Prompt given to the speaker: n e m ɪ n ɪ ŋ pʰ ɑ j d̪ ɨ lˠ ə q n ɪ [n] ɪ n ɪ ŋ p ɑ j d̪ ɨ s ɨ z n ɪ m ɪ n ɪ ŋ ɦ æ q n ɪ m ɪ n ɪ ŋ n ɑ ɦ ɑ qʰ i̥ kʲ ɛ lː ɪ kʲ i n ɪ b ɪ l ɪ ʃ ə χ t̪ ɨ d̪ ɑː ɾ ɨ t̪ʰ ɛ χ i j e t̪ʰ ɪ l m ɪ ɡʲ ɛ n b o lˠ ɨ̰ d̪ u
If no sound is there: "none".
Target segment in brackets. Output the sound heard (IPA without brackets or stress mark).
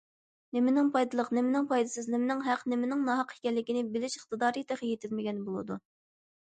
m